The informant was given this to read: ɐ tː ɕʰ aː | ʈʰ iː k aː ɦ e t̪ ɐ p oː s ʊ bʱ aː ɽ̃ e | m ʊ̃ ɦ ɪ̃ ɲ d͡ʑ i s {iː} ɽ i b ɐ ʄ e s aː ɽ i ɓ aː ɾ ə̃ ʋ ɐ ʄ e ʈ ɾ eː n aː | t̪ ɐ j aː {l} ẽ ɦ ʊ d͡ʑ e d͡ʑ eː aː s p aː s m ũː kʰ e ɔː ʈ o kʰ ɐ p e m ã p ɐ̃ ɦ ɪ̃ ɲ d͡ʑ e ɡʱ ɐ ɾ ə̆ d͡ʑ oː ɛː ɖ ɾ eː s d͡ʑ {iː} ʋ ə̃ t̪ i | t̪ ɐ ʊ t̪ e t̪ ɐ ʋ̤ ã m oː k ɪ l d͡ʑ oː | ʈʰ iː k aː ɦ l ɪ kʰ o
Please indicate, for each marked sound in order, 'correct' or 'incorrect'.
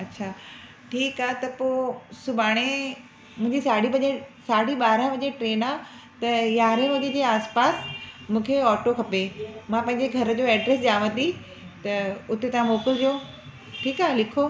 incorrect: aː, incorrect: ɾ, incorrect: aː

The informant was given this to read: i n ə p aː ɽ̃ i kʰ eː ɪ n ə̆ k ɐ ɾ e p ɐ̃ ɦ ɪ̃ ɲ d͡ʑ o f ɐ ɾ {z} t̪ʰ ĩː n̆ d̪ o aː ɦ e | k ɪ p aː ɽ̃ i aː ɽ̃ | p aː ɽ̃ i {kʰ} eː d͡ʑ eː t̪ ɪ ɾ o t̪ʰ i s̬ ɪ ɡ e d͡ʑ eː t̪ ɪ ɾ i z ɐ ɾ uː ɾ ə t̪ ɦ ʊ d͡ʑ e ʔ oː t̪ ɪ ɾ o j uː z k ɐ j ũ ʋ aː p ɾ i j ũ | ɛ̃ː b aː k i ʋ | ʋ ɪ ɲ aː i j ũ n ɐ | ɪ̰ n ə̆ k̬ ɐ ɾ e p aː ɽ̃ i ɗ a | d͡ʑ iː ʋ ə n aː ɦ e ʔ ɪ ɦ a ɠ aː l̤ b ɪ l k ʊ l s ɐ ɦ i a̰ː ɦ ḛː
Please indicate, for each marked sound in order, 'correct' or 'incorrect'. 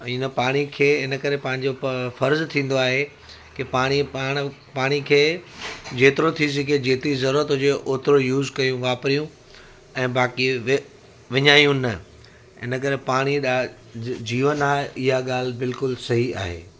correct, correct

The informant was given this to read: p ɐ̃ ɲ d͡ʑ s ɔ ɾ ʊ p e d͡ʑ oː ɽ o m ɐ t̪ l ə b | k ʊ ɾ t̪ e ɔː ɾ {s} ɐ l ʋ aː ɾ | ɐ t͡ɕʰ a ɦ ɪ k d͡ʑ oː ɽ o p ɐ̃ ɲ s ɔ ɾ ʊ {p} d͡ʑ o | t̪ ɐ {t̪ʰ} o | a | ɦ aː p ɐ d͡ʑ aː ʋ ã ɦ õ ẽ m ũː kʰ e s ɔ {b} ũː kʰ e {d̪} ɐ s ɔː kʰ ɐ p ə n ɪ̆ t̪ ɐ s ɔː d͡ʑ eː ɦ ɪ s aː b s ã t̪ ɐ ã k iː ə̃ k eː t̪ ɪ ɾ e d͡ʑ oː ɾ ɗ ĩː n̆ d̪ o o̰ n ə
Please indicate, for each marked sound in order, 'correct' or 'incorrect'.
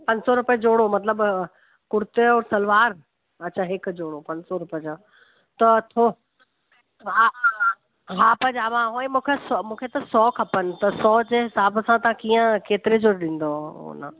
correct, correct, correct, incorrect: m, incorrect: t̪

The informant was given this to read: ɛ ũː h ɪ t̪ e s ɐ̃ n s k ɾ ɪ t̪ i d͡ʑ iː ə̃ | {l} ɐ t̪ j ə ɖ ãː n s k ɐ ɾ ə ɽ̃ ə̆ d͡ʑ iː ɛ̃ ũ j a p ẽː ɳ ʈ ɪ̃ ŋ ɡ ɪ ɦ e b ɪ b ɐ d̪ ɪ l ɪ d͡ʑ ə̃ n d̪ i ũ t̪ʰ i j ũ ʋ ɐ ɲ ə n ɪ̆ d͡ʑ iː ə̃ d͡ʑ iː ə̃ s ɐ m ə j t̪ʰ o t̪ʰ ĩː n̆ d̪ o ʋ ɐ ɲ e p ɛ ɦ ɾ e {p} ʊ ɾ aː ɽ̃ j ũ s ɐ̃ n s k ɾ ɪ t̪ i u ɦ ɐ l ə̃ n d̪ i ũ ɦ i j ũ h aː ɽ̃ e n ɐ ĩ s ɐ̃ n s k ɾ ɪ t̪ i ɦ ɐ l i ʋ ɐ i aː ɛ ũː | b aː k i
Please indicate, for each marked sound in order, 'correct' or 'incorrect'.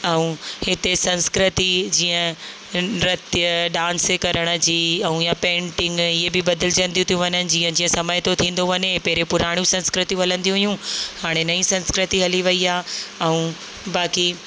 incorrect: ɾ, correct

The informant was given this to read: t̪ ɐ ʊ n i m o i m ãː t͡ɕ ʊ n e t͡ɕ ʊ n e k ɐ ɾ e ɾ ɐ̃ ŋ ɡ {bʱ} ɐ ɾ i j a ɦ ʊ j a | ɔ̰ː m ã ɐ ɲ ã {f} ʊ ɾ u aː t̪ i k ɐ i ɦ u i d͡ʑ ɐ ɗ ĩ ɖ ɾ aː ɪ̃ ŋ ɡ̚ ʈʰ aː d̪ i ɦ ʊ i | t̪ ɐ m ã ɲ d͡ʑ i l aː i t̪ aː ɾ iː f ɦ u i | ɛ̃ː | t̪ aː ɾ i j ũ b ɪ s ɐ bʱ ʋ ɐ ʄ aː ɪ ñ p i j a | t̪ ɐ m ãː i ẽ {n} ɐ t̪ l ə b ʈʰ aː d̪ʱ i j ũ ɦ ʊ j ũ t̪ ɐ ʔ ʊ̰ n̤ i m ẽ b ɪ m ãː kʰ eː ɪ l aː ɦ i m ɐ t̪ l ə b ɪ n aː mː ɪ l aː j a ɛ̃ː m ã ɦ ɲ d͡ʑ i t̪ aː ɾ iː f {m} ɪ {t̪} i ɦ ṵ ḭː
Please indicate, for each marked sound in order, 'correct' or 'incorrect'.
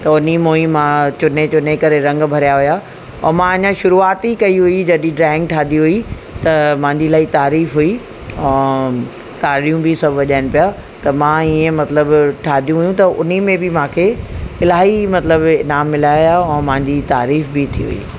correct, incorrect: ʃ, incorrect: m, incorrect: b, incorrect: t̪ʰ

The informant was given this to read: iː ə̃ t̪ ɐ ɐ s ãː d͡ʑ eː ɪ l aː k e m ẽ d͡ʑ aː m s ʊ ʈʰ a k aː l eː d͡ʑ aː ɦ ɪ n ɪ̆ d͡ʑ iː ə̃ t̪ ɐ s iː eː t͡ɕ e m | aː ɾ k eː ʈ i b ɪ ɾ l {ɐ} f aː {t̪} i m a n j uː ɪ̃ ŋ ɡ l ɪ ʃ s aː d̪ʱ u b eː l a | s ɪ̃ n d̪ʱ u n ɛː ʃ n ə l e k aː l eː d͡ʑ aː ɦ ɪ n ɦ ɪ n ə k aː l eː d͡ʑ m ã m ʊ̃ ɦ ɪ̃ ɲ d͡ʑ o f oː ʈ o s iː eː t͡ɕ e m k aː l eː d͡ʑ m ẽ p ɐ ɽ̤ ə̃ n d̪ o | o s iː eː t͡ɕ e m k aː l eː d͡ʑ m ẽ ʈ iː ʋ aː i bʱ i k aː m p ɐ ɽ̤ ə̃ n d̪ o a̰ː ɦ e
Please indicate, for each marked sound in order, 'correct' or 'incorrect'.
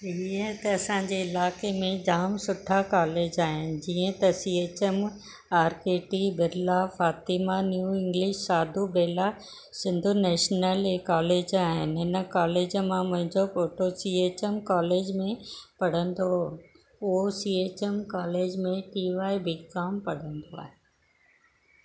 incorrect: a, correct

